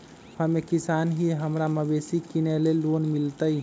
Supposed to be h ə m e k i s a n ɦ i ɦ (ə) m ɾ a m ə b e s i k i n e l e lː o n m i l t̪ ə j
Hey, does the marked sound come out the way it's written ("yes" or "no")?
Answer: yes